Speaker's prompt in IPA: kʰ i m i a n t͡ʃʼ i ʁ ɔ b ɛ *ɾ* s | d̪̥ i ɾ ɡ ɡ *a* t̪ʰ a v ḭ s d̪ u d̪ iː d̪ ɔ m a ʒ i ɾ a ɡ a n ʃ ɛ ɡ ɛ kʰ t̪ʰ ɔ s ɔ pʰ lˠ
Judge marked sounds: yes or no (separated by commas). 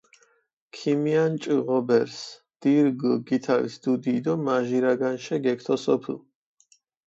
yes, no